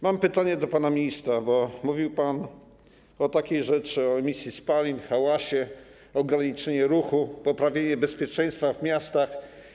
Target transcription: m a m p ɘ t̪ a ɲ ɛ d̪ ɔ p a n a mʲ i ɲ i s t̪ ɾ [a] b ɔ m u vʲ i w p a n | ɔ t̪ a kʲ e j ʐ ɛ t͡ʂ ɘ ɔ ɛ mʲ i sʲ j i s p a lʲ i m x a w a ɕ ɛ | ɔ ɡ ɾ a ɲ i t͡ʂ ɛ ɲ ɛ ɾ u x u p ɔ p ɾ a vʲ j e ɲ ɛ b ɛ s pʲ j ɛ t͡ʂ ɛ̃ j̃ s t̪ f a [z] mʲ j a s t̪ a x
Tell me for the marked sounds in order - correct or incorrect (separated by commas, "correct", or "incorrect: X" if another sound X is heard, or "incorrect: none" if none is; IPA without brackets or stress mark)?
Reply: correct, incorrect: v